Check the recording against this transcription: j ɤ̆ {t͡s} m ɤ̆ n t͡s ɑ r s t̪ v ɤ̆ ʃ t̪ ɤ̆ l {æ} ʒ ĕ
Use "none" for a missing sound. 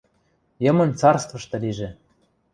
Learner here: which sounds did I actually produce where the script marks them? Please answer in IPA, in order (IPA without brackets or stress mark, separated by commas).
none, i